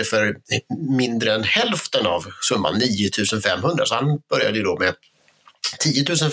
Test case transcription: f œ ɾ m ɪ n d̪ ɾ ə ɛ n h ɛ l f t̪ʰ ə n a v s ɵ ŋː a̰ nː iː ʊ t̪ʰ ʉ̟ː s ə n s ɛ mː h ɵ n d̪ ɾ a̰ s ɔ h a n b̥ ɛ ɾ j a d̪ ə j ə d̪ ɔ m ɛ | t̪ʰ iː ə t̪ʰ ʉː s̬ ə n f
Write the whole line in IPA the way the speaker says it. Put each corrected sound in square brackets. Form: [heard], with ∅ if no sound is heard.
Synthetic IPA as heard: f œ ɾ m ɪ n d̪ ɾ ə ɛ n h ɛ l f [t̪] ə n a v s ɵ [mː] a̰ nː iː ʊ t̪ʰ ʉ̟ː s ə n [f] ɛ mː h ɵ n d̪ ɾ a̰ s ɔ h a n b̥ [œ] ɾ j a d̪ ə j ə d̪ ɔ m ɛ | t̪ʰ iː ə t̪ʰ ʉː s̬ ə n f